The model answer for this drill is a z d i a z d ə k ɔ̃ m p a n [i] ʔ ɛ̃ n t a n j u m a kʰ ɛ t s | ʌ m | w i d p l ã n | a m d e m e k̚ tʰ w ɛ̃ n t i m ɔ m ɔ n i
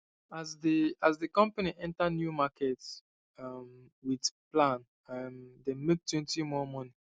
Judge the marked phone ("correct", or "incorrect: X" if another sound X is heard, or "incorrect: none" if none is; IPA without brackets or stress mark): correct